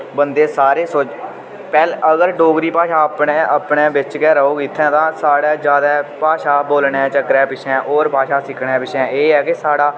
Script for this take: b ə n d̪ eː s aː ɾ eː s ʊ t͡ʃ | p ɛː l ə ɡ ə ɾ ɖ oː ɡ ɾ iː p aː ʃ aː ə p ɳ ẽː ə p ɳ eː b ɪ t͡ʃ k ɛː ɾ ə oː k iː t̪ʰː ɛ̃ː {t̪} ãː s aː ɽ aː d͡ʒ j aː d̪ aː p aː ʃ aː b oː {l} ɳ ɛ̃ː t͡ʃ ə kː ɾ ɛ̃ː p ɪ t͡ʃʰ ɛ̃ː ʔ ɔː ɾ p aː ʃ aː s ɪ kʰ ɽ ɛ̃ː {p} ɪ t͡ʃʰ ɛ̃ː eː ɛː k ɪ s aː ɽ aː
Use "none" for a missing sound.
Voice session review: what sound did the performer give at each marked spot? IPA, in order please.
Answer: t̪, l, p

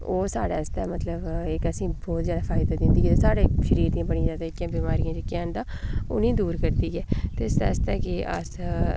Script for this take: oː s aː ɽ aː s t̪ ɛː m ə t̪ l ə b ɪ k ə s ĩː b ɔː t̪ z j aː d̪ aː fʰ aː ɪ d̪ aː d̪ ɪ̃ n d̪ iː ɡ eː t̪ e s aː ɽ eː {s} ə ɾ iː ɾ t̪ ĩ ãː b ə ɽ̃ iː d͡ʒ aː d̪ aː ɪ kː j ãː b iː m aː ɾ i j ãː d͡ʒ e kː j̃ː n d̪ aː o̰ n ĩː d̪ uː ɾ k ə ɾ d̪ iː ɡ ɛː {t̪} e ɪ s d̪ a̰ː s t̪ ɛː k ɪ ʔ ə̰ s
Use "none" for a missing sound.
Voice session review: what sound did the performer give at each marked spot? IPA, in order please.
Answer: ʃ, t̪

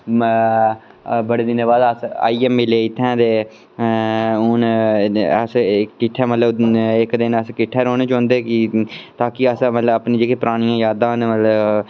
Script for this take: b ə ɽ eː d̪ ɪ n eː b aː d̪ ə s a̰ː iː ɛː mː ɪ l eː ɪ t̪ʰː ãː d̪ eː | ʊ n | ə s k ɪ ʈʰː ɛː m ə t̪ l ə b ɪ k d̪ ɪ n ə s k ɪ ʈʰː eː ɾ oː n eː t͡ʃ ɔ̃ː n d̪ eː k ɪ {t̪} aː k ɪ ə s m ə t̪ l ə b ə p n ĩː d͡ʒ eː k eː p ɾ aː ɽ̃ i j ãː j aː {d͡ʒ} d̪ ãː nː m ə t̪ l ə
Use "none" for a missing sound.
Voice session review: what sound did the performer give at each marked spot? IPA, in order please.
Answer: t̪, none

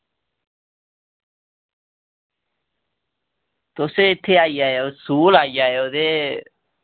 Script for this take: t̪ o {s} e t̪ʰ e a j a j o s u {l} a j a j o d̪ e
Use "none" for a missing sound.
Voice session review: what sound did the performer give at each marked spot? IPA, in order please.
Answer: s, l

